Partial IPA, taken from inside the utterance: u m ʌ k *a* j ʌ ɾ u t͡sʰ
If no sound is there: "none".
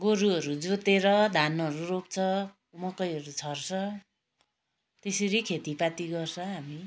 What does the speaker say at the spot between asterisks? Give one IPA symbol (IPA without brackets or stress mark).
ʌ